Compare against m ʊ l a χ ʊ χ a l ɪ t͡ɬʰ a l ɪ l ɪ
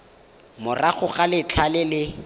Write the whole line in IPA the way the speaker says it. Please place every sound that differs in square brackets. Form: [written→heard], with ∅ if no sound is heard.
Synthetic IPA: m ʊ [l→r] a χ ʊ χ a l ɪ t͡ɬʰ a l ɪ l ɪ